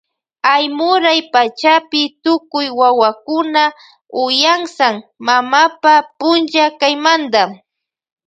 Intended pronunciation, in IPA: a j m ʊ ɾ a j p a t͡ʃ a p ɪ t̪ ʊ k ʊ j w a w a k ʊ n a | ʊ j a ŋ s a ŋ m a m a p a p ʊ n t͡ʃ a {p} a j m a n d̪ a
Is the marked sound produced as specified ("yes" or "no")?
no